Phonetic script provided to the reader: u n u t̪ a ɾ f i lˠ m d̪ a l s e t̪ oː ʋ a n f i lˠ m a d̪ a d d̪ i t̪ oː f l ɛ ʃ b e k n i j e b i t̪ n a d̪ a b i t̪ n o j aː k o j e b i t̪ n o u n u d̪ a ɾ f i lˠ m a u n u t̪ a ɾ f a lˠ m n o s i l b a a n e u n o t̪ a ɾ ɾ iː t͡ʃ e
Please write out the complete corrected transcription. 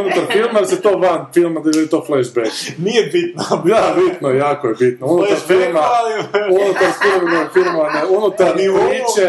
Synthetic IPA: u n u t̪ a ɾ f i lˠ m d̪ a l s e t̪ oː ʋ a n f i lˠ m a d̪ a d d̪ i t̪ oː f l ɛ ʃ b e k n i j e b i t̪ n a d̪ a b i t̪ n o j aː k o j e b i t̪ n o u n u t̪ a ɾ f i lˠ m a u n u t̪ a ɾ f i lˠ m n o f i l m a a n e u n u t̪ a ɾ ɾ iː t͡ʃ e